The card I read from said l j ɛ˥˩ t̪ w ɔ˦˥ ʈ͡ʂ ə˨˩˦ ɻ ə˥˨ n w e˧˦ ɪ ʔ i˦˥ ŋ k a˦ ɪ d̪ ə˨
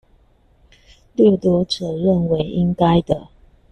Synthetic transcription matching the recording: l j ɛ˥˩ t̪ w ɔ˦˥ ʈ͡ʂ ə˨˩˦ ɻ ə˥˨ n w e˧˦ ɪ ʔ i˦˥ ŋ k a˦ ɪ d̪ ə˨